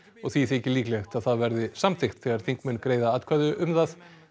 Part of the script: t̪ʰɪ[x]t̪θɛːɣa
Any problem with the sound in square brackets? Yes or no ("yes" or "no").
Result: no